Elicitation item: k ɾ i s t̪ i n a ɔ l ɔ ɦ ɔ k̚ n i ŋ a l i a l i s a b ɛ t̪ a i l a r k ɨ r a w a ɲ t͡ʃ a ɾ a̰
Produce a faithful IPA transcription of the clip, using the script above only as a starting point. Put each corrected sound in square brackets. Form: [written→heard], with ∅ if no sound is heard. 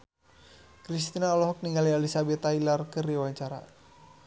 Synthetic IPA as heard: k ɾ i s t̪ i n a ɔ l ɔ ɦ ɔ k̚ n i ŋ a l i a l i s a b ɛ t̪ a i l a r k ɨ r [a→i] w a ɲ t͡ʃ a ɾ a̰

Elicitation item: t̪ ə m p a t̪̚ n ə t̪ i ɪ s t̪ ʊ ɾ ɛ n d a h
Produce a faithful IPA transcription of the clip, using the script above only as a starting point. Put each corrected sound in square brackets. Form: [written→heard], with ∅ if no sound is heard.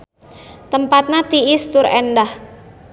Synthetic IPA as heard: t̪ ə m p a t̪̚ n [ə→a] t̪ i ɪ s t̪ ʊ ɾ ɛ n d a h

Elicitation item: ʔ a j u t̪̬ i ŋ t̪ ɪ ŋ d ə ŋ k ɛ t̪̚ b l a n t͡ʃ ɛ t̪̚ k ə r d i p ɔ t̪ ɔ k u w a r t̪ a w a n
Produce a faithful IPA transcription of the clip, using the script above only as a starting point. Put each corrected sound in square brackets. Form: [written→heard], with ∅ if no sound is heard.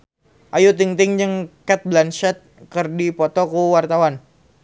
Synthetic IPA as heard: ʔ a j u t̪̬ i ŋ t̪ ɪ ŋ [d→d͡ʒ] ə ŋ k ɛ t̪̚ b l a n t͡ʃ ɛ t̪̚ k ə r d i p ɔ t̪ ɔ k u w a r t̪ a w a n

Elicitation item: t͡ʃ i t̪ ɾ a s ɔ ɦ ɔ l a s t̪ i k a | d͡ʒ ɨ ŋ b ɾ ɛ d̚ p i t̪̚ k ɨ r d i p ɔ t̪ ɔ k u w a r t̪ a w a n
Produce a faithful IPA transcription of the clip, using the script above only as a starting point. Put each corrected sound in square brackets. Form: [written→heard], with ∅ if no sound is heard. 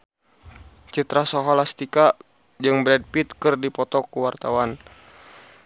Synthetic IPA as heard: t͡ʃ i t̪ ɾ a s ɔ ɦ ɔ l a s t̪ i k a | d͡ʒ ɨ ŋ b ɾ ɛ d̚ p i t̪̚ k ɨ r d i p ɔ t̪ ɔ k u w a r t̪ a w a n

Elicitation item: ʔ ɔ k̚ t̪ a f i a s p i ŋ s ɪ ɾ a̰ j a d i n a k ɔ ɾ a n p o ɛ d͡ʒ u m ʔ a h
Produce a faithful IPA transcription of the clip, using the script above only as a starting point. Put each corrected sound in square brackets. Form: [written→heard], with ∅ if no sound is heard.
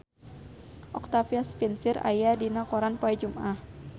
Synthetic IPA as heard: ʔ ɔ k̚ t̪ a f i a s p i [ŋ→n] s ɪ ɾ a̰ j a d i n a k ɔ ɾ a n p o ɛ d͡ʒ u m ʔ a h

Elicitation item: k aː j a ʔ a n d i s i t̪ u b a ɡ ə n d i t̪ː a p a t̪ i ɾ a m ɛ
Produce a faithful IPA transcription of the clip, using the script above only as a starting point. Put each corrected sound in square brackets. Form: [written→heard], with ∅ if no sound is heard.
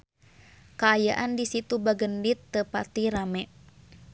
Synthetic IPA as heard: k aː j a ʔ a n d i s i t̪ u b a ɡ ə n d i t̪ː [a→ə] p a t̪ i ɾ a m ɛ

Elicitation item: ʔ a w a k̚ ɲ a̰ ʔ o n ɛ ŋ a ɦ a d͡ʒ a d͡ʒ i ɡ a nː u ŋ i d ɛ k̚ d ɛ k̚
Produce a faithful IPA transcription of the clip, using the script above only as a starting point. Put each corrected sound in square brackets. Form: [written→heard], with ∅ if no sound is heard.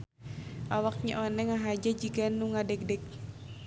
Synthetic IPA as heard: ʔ a w a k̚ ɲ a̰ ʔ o n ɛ ŋ a ɦ a d͡ʒ a d͡ʒ i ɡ a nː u ŋ [i→a] d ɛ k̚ d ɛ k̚

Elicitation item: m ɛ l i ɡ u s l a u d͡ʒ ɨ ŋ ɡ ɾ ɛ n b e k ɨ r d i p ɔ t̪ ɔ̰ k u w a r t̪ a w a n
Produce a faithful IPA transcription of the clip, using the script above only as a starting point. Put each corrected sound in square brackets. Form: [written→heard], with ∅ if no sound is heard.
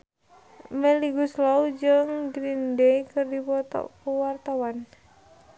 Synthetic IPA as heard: m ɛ l i ɡ u s l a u d͡ʒ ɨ ŋ ɡ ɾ [ɛ→i] n [b→d] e k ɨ r d i p ɔ t̪ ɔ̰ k u w a r t̪ a w a n

